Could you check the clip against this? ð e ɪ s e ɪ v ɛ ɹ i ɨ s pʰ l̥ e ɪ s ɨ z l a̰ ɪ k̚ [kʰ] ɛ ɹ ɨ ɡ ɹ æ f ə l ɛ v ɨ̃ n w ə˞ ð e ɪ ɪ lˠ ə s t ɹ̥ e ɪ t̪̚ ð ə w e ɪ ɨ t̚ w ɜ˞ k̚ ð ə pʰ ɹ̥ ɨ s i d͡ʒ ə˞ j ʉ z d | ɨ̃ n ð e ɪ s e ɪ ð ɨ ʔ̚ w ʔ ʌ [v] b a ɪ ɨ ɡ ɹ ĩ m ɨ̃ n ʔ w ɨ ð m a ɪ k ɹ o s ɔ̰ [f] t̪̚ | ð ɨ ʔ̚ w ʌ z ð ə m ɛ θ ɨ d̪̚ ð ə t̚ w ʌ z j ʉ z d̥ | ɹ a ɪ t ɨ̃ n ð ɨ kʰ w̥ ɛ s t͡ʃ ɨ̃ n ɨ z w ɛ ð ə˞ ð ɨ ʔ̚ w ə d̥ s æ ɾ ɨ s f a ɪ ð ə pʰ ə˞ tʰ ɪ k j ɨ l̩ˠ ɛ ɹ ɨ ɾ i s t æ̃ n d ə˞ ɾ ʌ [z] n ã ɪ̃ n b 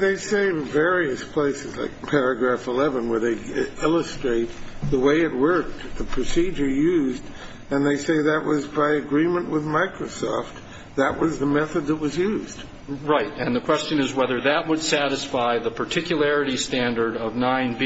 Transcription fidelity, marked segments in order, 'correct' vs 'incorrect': incorrect: pʰ, incorrect: z, correct, incorrect: v

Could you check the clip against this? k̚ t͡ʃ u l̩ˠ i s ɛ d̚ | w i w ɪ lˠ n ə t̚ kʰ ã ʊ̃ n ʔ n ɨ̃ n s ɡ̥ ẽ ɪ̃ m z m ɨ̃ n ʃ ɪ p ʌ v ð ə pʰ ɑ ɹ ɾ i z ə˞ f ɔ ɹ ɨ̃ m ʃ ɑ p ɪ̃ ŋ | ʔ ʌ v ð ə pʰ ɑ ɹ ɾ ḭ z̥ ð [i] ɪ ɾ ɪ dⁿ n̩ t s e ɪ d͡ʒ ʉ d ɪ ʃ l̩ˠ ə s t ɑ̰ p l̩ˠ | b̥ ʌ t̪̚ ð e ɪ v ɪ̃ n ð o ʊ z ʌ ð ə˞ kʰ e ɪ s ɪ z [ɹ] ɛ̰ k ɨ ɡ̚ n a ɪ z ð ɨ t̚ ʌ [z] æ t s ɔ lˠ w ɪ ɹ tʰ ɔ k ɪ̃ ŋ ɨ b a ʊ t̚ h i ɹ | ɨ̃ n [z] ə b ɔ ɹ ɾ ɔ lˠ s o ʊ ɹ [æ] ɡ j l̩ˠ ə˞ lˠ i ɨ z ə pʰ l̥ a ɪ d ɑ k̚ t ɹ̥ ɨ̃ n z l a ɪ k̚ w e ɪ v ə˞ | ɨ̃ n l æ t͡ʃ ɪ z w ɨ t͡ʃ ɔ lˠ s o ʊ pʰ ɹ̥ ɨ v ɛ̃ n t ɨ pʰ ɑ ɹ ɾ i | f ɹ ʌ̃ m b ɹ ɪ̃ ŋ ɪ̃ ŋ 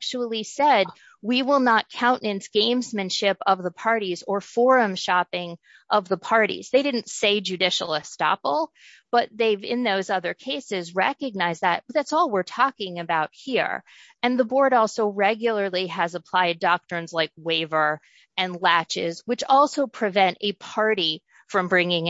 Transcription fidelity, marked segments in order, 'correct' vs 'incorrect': incorrect: e, correct, incorrect: ð, incorrect: ð, incorrect: ɛ

